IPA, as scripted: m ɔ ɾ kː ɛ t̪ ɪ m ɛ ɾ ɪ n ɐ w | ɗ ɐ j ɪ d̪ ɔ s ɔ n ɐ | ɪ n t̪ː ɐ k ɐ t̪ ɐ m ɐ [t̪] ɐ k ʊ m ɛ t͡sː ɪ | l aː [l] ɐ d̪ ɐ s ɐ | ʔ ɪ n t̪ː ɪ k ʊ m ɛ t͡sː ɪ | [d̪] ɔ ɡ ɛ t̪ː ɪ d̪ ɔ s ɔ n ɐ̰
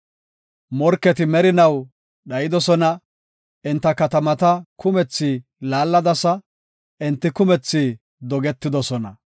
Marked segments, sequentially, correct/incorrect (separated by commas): correct, incorrect, correct